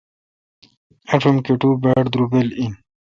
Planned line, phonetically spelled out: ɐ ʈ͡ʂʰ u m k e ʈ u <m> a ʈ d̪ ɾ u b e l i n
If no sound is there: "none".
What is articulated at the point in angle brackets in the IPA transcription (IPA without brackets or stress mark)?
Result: b